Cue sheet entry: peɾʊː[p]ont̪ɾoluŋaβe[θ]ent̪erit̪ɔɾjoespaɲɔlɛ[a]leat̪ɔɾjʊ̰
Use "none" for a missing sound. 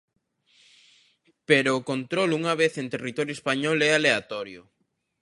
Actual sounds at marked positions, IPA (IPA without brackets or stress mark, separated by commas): k, θ, a